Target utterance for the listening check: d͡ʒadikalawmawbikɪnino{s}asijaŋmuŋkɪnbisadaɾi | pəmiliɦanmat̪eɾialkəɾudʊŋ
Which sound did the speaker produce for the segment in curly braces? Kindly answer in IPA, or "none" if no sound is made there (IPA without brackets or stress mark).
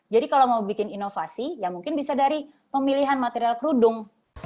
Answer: f